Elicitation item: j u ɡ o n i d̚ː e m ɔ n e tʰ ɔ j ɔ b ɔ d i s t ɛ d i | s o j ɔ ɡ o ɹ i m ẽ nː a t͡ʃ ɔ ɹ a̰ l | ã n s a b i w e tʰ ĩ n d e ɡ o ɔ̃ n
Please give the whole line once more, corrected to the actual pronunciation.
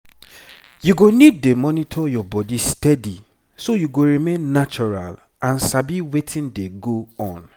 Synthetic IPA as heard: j u ɡ o n i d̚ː e m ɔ n i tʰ ɔ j ɔ b ɔ d i s t ɛ d i | s o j u ɡ o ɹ i m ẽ nː a t͡ʃ ɔ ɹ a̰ l | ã n s a b i w e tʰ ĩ n d e ɡ o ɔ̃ n

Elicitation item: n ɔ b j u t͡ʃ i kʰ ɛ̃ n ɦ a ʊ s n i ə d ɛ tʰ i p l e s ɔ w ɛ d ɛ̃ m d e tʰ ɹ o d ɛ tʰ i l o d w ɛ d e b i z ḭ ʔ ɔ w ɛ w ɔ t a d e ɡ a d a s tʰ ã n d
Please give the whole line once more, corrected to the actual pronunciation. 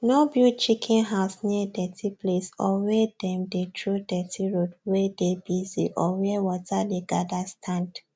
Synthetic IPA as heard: n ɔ b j u t͡ʃ i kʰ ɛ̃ n ɦ a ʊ s n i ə d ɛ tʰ i p l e s ɔ w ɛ d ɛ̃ m d e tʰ ɹ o d ɛ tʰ i ɹ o d w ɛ d e b i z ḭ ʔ ɔ w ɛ w ɔ t a d e ɡ a d a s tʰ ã n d

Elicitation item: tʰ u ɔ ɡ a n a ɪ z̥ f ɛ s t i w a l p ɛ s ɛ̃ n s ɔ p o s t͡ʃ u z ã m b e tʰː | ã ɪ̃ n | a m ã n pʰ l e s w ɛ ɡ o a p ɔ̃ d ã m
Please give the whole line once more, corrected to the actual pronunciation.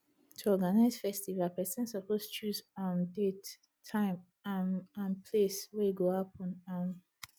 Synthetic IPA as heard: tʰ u ɔ ɡ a n a ɪ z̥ f ɛ s t i v a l p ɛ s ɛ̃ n s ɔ p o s t͡ʃ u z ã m d e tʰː | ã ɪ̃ m | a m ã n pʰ l e s w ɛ ɡ o a p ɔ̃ n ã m

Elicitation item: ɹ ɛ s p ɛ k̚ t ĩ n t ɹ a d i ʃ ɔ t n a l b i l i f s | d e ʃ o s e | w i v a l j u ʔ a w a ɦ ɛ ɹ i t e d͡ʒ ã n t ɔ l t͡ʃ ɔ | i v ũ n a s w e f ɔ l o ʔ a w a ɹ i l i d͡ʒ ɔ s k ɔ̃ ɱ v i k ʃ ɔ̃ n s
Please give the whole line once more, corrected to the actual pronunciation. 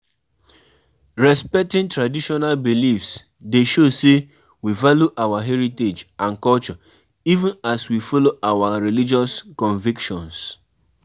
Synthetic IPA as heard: ɹ ɛ s p ɛ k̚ t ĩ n t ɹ a d i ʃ ɔ n a l b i l i f s | d e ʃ o s e | w i v a l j u ʔ a w a ɦ ɛ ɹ i t e d͡ʒ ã n k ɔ l t͡ʃ ɔ | i v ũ n a s w i f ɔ l o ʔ a w a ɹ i l i d͡ʒ ɔ s k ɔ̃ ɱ v i k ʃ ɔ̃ n s

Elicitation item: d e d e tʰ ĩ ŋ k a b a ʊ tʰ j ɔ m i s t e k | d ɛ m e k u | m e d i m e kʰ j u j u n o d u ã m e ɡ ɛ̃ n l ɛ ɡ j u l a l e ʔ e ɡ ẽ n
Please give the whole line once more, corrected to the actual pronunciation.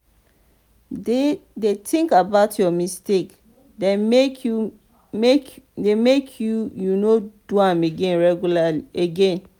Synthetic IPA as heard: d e d e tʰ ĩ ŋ k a b a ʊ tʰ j ɔ m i s t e k | d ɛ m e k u | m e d e m e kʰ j u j u n o d u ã m e ɡ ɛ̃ n ɹ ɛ ɡ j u l a l i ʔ e ɡ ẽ n

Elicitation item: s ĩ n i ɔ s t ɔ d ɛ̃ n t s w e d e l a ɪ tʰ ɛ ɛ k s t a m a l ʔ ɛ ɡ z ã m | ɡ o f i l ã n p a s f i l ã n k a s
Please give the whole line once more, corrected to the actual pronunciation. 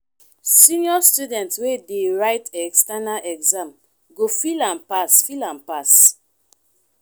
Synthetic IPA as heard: s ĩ n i ɔ s t u d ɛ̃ n t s w e d e ɹ a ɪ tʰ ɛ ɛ k s t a n a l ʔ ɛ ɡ z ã m | ɡ o f i l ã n p a s f i l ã n p a s

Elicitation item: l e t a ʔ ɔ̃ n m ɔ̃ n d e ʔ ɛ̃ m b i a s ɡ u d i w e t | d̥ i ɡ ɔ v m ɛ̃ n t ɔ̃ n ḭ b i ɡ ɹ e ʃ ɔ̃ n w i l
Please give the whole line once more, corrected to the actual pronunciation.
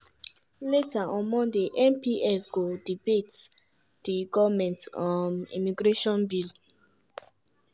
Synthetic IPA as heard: l e t a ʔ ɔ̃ n m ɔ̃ n d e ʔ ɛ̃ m p i ɛ s ɡ o d i b e t | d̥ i ɡ ɔ v m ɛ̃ n t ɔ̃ n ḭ m i ɡ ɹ e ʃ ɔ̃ n b i l

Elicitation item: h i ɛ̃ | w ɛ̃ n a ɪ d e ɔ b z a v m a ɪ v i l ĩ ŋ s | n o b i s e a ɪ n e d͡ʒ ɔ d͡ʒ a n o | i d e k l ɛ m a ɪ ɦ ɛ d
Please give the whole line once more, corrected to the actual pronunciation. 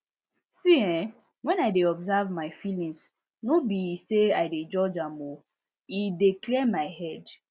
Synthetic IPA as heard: s i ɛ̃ | w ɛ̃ n a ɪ d e ɔ b z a v m a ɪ f i l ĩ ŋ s | n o b i s e a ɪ d e d͡ʒ ɔ d͡ʒ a m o | i d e k l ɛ m a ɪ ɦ ɛ d

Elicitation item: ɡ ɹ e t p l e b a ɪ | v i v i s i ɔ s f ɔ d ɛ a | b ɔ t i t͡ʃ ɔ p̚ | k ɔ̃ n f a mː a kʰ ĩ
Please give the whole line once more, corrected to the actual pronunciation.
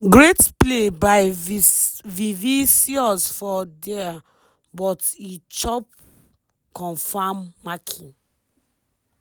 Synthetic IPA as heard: ɡ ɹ e t p l e b a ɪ | v i v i s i ɔ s f ɔ d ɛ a | b ɔ t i t͡ʃ ɔ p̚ | k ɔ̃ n f a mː a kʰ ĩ

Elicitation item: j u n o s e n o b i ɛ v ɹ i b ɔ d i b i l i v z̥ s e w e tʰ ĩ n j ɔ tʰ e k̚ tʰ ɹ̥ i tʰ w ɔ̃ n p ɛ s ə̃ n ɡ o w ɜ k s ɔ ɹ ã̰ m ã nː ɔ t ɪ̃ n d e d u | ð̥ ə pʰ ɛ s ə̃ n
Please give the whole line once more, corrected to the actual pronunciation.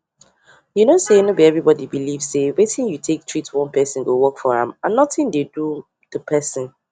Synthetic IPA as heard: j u n o s e n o b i ɛ v ɹ i b ɔ d i b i l i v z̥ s e w e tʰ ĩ n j u tʰ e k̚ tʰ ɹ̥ i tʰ w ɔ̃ n p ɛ s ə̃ n ɡ o w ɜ k f ɔ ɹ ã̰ m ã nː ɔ t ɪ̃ n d e d u | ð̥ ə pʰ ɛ s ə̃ n

